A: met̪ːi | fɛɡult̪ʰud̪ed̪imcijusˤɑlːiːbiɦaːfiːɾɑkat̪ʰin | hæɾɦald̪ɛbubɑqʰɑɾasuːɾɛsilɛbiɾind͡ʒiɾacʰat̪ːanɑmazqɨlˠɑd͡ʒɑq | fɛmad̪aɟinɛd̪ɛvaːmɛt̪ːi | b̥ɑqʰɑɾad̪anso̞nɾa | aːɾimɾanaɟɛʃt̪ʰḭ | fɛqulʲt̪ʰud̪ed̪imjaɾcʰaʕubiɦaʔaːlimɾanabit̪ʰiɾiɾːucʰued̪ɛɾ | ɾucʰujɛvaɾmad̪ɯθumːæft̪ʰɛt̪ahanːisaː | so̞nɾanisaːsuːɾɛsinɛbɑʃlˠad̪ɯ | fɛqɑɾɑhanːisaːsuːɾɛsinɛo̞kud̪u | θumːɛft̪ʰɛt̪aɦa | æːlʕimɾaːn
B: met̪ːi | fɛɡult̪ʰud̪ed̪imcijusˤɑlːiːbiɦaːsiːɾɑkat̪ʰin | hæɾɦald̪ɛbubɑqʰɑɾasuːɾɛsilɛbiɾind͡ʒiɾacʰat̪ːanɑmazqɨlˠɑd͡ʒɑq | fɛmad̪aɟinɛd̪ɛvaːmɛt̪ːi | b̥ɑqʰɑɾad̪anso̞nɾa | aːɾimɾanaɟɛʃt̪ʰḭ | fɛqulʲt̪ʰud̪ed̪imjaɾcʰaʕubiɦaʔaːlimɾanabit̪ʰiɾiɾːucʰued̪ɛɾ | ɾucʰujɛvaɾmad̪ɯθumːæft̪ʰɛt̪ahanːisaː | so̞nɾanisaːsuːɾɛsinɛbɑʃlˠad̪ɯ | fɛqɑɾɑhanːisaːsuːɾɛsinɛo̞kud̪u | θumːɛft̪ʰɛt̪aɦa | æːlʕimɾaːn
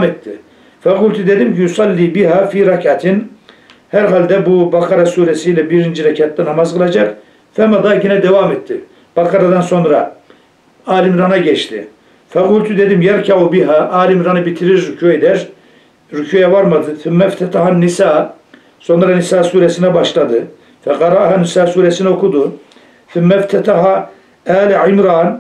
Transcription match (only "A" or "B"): A